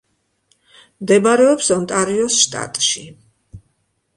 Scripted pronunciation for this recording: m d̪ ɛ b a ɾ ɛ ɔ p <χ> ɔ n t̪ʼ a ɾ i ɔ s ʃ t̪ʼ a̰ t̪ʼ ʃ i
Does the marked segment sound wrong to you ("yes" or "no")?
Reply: yes